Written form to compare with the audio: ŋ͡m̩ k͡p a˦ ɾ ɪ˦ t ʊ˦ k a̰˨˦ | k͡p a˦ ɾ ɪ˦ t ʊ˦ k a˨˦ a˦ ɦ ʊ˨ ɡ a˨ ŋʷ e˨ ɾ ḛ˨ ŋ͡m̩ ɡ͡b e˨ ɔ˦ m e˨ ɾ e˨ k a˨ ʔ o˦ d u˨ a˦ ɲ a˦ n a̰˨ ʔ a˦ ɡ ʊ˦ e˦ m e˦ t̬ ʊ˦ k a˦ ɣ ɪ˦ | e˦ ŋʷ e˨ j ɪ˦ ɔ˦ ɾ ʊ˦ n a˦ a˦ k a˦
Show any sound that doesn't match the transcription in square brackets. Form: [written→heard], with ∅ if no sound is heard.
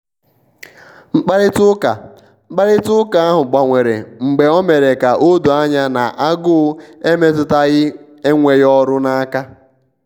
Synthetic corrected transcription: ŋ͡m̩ k͡p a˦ ɾ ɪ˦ t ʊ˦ k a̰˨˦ | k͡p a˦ ɾ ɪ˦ t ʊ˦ k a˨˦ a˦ ɦ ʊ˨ [ɡ→ɡ͡b] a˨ ŋʷ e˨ ɾ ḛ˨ ŋ͡m̩ ɡ͡b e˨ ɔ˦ m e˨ ɾ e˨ k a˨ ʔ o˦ d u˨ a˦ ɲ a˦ n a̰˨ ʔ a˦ ɡ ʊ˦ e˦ m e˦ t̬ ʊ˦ [k→t] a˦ ɣ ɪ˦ | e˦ ŋʷ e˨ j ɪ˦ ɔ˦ ɾ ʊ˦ n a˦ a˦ k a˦

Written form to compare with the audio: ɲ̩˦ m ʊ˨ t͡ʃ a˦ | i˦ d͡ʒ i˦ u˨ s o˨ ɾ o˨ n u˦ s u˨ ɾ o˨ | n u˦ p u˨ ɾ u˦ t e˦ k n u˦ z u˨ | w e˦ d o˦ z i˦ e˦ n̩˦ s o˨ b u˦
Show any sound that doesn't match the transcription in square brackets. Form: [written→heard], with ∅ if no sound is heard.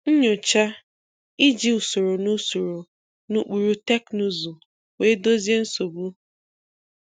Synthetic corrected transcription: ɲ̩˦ [m→ɲ] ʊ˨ t͡ʃ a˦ | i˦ d͡ʒ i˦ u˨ s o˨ ɾ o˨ n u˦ s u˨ ɾ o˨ | n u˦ [p→k͡p] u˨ ɾ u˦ t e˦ k n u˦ z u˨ | w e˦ d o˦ z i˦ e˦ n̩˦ s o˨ b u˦

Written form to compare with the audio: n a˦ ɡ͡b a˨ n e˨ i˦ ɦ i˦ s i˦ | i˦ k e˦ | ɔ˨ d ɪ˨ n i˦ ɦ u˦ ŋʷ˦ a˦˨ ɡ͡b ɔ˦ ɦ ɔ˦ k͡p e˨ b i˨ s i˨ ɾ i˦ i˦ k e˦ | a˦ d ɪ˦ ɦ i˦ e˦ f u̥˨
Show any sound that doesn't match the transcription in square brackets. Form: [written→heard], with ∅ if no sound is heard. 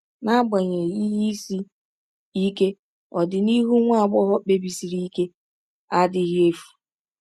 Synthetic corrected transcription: n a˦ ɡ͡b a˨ [n→ɲ] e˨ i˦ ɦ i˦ s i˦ | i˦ k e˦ | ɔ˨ d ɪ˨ n i˦ ɦ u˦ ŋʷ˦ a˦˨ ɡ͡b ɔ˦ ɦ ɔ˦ k͡p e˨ b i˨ s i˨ ɾ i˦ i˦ k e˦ | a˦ d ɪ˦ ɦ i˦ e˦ f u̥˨

